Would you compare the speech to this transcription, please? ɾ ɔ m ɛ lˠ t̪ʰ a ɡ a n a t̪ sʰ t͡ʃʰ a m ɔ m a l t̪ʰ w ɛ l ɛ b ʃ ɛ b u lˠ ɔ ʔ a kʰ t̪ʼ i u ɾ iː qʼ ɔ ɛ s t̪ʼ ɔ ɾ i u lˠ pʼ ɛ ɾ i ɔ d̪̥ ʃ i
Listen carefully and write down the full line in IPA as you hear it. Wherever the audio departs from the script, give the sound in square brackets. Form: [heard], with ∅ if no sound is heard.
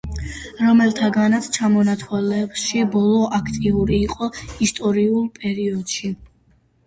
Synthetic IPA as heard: ɾ ɔ m ɛ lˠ t̪ʰ a ɡ a n a t̪ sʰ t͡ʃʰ a m ɔ [n] a [∅] t̪ʰ w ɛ l ɛ b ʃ [i] b [ɔ] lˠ ɔ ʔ a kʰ t̪ʼ i u ɾ iː qʼ ɔ [i] s t̪ʼ ɔ ɾ i u lˠ pʼ ɛ ɾ i ɔ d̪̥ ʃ i